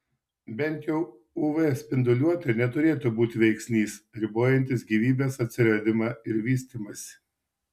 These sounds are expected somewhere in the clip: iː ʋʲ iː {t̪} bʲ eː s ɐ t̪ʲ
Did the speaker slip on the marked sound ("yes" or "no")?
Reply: yes